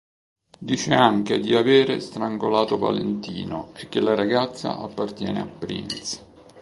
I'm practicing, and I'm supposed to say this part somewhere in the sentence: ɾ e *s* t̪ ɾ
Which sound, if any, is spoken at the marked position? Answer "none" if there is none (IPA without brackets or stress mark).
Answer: s